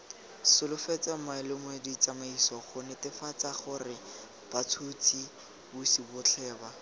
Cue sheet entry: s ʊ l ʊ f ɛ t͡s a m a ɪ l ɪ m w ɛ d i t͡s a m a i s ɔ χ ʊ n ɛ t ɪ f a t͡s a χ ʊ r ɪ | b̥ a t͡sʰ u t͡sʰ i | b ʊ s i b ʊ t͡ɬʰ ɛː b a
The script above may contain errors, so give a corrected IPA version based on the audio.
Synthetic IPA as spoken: s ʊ l ʊ f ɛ t͡s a m a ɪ l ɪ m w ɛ d i t͡s a m a i s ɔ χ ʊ n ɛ t ɪ f a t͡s a χ ʊ r ɪ | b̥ a t͡sʰ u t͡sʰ i | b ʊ s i b ʊ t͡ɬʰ ɛː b a

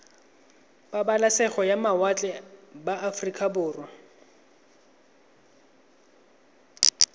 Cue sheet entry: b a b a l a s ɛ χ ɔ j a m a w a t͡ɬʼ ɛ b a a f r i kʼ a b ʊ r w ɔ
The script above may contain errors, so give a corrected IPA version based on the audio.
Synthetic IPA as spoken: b a b a l a s ɛ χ ɔ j a m a w a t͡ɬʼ ɛ b a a f r i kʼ a b ʊː r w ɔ

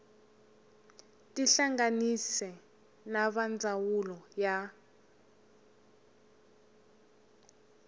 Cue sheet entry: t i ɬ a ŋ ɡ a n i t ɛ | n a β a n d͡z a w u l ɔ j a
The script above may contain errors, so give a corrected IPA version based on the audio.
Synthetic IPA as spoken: t i ɬ a ŋ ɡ a n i s ɛ | n a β a n d͡z a w u l ɔ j a

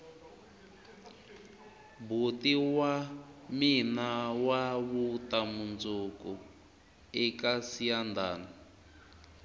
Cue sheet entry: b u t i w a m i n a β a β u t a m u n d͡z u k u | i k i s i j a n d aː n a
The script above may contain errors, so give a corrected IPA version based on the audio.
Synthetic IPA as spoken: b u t i w a m i n a w a β u t a m u n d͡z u k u | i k a s i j a n d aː n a

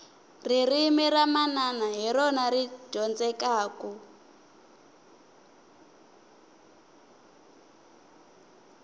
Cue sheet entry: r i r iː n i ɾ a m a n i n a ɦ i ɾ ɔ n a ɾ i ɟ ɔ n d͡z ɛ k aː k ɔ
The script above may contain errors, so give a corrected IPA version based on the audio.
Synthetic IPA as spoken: r i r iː m i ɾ a m a n a n a ɦ i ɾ ɔ n a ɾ i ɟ ɔ n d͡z ɛ k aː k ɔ

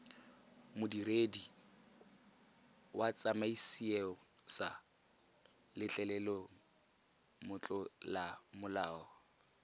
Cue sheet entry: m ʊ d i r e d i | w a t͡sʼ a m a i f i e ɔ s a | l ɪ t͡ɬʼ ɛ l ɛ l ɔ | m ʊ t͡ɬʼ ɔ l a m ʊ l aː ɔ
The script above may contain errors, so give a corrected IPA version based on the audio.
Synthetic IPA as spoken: m ʊ d i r e d i | w a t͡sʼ a m a i s i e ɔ s a | l ɪ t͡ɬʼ ɛ l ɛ l ɔ | m ʊ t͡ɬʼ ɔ l a m ʊ l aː ɔ

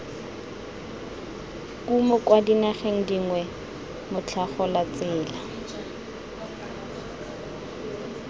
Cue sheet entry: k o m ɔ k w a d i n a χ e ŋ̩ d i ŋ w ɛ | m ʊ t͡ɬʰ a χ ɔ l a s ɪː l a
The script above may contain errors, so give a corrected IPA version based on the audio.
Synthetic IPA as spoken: k u m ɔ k w a d i n a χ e ŋ̩ d i ŋ w ɛ | m ʊ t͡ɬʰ a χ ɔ l a t͡s ɪː l a

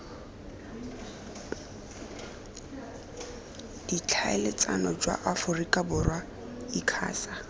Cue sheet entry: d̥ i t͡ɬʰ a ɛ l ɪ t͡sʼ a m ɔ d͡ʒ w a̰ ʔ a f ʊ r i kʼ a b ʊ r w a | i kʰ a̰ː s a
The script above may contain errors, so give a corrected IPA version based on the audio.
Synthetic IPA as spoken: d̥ i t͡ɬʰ a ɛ l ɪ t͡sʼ a n ɔ d͡ʒ w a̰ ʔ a f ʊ r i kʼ a b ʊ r w a | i kʰ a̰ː s a

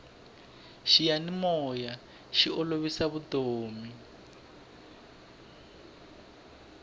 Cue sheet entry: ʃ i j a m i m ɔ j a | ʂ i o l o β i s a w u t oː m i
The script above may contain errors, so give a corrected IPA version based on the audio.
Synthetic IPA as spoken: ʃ i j a n i m ɔ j a | ʃ i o l o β i s a β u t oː m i

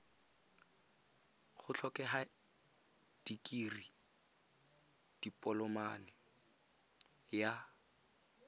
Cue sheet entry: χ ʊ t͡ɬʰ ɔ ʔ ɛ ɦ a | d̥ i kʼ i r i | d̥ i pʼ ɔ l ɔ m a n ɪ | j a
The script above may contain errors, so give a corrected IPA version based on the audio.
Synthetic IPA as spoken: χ ʊ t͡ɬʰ ɔ k ɛ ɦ a | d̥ i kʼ i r i | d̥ i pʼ ɔ l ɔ m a n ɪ | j a

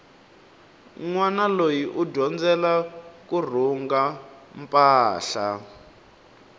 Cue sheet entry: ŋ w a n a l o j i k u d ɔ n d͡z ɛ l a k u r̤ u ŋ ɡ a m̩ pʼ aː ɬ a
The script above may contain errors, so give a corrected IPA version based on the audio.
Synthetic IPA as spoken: ŋ w a n a l o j i ʔ u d ɔ n d͡z ɛ l a k u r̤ u ŋ ɡ a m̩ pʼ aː ɬ a

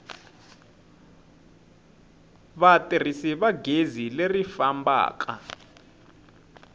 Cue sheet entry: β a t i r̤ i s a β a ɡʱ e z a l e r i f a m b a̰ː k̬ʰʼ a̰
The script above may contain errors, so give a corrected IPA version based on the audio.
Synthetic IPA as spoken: β a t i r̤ i s i β a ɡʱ e z i l e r i f a m b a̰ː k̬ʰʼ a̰

